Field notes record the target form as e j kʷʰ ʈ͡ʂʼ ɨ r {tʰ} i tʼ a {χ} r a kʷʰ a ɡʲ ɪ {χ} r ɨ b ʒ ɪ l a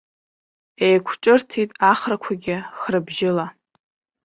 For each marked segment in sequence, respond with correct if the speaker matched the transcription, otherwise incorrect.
correct, correct, correct

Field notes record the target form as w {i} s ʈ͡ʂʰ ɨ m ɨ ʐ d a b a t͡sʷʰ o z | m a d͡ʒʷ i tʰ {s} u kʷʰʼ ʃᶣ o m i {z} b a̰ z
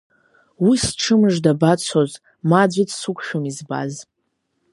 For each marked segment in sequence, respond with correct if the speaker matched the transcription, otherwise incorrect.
correct, correct, correct

